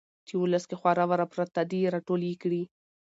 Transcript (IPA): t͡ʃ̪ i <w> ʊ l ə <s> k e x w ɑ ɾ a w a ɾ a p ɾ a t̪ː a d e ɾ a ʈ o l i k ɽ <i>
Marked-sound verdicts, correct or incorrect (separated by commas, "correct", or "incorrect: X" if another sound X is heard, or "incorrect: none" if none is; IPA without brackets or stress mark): correct, correct, correct